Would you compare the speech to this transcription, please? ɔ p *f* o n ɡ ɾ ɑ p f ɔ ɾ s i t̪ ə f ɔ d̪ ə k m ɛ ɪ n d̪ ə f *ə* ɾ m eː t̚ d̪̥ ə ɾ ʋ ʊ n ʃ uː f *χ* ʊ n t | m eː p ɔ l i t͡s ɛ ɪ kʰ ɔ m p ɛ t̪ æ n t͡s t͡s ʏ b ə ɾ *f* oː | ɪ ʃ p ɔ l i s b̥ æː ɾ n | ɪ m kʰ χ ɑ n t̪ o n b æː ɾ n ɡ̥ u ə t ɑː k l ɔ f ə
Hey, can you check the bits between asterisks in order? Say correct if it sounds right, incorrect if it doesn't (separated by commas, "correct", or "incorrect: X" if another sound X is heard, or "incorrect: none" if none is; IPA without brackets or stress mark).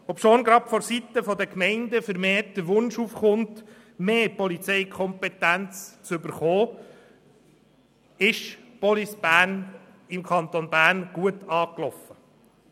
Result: incorrect: ʃ, correct, correct, incorrect: χ